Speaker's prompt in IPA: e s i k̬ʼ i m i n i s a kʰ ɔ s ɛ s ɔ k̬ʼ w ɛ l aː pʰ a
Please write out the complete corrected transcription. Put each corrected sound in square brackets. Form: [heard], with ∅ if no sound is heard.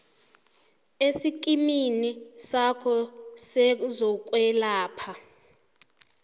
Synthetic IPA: e s i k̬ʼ i m i n i s a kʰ ɔ s ɛ [z] ɔ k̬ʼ w ɛ l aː pʰ a